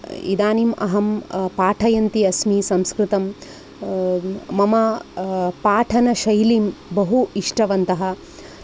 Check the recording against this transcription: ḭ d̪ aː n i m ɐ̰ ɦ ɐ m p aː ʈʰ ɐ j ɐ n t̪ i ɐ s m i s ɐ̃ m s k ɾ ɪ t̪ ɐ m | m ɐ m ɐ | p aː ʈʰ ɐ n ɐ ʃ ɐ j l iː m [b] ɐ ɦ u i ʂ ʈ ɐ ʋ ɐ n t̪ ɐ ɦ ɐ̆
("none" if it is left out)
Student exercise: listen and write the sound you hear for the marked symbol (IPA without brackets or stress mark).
b